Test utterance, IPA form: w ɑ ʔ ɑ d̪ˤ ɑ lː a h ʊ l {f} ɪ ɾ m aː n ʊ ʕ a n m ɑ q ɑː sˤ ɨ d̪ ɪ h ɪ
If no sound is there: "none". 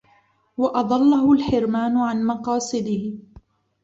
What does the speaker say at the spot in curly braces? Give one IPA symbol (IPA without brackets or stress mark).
ħ